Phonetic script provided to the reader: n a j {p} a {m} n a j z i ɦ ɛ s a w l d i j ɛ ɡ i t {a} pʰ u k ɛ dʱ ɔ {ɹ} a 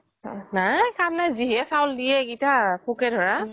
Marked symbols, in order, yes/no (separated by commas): no, yes, yes, yes